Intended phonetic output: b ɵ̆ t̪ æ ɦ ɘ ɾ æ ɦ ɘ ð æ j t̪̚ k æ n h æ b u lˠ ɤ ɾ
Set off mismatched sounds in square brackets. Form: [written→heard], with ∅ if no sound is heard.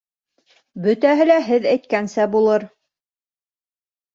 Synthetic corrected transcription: b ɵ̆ t̪ æ ɦ ɘ [ɾ→l] æ ɦ ɘ ð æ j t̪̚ k æ n [h→s] æ b u lˠ ɤ ɾ